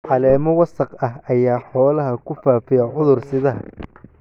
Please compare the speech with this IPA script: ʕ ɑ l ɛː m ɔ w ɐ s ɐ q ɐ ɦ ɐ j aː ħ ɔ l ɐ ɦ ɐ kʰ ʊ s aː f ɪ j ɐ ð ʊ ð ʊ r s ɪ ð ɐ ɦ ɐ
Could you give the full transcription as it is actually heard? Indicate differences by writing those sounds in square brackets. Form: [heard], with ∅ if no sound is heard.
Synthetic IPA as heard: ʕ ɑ l ɛː m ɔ w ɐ s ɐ q ɐ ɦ ɐ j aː ħ [ɔː] l ɐ ɦ ɐ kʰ ʊ [f] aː f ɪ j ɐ [ʕ] ʊ ð ʊ r s ɪ ð ɐ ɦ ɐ

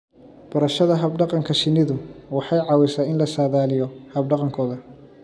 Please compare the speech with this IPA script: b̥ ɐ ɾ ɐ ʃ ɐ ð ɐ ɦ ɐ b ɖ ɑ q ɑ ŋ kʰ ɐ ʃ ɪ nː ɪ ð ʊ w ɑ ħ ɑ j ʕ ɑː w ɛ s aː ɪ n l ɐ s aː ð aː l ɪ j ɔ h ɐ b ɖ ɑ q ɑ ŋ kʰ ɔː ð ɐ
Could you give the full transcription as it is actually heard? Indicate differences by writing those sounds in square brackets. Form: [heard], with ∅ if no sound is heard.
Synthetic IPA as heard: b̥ ɐ ɾ ɐ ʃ ɐ ð ɐ ɦ ɐ b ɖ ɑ q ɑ ŋ kʰ ɐ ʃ ɪ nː ɪ ð ʊ w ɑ ħ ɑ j ʕ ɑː w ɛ s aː ɪ n l ɐ s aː ð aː l ɪ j ɔ h ɐ b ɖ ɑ q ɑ ŋ kʰ ɔː ð ɐ

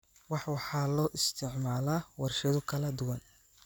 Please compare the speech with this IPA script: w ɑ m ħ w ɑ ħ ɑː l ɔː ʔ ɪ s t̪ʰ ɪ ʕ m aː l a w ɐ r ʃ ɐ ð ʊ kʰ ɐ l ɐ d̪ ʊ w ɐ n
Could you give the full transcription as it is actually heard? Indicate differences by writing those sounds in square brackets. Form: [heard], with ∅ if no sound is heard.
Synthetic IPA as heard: w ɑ [∅] ħ w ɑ ħ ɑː l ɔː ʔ ɪ s t̪ʰ ɪ ʕ m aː l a w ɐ r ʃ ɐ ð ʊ kʰ ɐ l ɐ d̪ ʊ w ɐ n

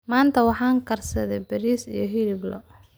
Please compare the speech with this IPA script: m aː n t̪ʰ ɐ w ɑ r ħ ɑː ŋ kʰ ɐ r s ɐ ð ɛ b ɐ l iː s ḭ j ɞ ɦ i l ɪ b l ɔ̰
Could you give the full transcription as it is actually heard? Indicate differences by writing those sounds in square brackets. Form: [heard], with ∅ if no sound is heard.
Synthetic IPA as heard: m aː n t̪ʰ ɐ w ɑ [∅] ħ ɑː ŋ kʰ ɐ r s ɐ ð ɛ b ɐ [ɾ] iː s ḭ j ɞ ɦ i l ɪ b l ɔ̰

